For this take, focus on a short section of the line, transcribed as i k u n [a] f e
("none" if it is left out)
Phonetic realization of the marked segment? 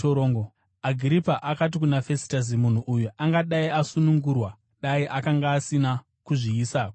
a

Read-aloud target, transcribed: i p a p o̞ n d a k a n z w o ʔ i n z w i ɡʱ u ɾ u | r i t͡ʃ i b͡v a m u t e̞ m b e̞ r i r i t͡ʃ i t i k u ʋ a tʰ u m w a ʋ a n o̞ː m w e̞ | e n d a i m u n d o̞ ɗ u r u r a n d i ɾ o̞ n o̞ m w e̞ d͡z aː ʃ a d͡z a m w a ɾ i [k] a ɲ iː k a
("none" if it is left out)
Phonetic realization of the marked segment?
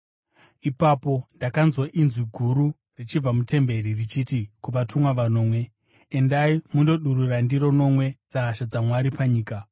p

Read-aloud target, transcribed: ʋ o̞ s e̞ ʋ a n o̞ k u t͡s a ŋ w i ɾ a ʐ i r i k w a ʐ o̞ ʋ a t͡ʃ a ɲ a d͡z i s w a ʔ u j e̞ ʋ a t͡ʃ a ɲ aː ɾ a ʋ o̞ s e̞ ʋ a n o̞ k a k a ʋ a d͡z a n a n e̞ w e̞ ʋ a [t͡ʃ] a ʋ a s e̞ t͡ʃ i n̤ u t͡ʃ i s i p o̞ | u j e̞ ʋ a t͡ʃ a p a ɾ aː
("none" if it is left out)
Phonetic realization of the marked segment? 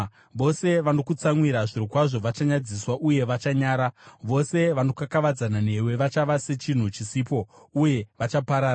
t͡ʃ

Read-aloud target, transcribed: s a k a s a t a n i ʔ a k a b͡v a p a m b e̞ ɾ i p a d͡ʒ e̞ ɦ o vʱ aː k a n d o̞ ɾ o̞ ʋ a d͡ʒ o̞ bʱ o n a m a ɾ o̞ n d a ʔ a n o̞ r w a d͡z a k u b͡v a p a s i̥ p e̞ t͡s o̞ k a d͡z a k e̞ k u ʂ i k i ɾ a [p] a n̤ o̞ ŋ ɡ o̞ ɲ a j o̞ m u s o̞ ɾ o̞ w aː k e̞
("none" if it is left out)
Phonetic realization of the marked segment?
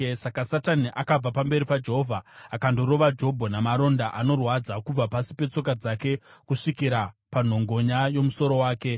p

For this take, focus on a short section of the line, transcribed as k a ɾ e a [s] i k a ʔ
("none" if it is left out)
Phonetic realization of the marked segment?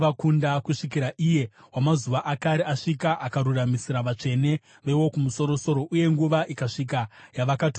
ʂ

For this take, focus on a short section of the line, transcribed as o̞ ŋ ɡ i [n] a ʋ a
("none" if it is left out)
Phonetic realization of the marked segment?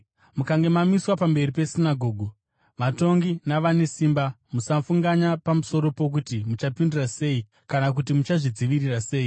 n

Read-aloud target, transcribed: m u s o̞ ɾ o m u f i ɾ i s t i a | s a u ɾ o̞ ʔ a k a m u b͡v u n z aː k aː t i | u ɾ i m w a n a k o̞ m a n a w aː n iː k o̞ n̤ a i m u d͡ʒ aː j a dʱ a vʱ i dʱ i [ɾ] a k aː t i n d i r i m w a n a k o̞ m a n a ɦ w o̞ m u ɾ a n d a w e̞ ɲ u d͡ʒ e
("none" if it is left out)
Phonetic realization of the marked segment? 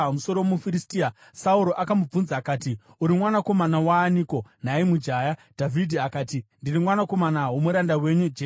none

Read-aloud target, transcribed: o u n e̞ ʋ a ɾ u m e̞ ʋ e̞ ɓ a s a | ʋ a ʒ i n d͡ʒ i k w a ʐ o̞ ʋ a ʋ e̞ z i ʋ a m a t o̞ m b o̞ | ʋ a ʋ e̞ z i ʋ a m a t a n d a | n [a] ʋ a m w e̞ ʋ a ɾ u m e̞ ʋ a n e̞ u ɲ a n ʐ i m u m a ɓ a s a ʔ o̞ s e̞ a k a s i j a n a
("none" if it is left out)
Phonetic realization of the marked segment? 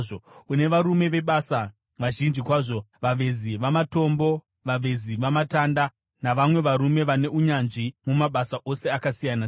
a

